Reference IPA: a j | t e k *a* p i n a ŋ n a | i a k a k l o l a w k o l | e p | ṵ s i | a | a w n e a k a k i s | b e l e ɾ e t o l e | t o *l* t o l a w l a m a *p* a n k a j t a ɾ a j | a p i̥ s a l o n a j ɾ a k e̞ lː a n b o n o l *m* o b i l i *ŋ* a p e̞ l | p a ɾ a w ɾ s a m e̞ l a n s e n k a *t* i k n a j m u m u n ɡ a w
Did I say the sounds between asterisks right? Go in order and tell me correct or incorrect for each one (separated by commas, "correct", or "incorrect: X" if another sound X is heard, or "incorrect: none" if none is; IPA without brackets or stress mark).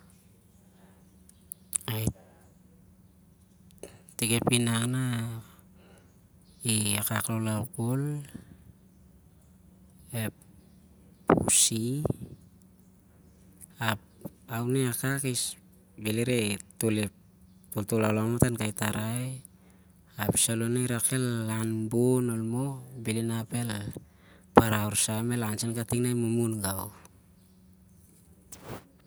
incorrect: e, correct, incorrect: t, correct, incorrect: n, correct